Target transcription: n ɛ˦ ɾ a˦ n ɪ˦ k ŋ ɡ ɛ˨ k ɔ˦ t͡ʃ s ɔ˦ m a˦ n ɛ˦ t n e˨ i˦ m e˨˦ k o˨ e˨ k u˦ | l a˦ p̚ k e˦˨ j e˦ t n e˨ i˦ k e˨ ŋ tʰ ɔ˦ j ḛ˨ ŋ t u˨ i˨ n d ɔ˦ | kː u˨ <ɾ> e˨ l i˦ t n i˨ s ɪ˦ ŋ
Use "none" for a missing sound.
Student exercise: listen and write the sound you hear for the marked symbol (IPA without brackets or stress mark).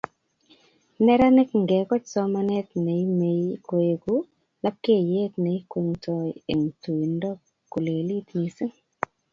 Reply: l